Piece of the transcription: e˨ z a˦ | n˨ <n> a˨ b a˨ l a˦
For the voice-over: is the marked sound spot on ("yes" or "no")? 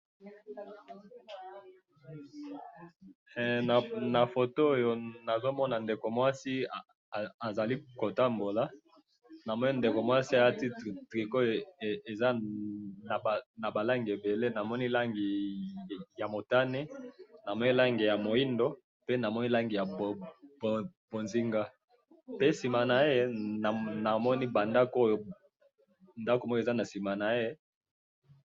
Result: yes